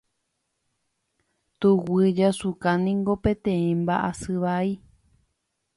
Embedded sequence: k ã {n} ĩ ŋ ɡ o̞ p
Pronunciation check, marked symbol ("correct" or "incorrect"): correct